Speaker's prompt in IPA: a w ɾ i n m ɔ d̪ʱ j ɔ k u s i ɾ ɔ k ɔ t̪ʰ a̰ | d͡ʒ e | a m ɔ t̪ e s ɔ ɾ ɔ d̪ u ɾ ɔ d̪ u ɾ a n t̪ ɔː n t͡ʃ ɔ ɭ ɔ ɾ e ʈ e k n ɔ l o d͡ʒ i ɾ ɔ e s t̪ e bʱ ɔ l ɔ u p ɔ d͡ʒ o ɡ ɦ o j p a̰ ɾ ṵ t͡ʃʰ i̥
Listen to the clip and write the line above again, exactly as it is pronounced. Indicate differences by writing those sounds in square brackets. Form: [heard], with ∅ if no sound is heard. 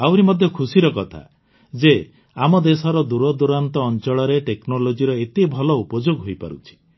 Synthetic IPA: a w ɾ i [∅] m ɔ d̪ʱ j ɔ [kʰ] u s i ɾ ɔ k ɔ t̪ʰ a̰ | d͡ʒ e | a m ɔ [d̪] e s ɔ ɾ ɔ d̪ u ɾ ɔ d̪ u ɾ a n t̪ ɔː n t͡ʃ ɔ ɭ ɔ ɾ e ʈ e k n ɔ l o d͡ʒ i ɾ ɔ e [∅] t̪ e bʱ ɔ l ɔ u p ɔ d͡ʒ o ɡ ɦ o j p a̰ ɾ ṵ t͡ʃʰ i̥